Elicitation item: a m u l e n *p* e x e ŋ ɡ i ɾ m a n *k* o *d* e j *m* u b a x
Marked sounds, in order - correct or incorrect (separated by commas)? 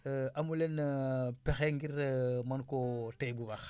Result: correct, correct, incorrect, incorrect